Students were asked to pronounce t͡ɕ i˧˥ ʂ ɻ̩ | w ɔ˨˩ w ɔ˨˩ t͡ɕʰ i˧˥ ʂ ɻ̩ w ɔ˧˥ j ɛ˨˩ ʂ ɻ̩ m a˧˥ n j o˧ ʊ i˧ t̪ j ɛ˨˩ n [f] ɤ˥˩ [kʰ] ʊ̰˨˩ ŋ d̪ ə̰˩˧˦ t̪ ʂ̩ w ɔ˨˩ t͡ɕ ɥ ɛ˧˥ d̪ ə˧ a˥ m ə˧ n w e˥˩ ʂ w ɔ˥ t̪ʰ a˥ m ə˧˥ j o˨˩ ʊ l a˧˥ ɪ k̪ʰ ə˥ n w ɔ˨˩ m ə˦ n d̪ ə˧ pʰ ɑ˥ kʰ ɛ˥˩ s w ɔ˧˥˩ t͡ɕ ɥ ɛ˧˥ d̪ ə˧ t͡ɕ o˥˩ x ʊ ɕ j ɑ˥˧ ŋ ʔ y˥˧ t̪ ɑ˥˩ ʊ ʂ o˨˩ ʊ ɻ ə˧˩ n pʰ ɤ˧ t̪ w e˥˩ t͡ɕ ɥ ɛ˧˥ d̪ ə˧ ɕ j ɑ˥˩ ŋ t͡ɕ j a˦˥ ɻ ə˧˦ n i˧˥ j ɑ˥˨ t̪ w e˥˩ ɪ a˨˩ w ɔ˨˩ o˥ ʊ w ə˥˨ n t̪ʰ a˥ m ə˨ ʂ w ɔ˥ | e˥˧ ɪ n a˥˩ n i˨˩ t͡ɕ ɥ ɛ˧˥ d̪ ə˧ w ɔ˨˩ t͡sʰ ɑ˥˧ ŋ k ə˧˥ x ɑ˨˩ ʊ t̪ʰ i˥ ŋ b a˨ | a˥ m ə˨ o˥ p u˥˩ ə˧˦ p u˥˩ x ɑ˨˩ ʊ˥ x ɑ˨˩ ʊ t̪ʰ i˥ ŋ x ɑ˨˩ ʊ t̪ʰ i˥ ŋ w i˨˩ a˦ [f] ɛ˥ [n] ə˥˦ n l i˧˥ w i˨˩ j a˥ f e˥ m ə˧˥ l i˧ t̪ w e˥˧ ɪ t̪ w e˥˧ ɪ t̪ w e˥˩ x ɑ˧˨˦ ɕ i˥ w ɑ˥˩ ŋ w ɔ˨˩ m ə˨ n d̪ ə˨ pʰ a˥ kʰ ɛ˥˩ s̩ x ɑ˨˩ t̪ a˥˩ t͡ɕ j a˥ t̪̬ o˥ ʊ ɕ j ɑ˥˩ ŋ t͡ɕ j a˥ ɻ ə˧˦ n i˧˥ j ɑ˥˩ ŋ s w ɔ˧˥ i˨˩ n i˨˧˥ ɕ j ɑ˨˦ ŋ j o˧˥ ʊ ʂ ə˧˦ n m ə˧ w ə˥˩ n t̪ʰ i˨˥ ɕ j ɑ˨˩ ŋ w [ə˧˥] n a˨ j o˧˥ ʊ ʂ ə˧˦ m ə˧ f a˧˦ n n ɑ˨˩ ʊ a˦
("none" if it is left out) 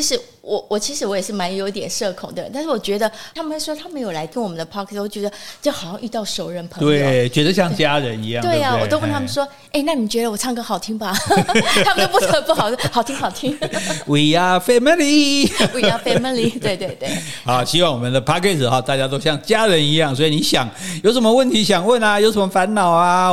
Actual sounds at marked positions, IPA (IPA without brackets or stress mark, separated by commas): ʂ, kʰ, f, m, ə˥˩